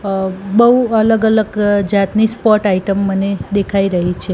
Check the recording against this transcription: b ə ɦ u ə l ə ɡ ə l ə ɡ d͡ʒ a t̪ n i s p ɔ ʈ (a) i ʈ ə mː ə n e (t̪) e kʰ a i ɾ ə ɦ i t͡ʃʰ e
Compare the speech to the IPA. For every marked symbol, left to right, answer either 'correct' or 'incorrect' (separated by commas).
correct, incorrect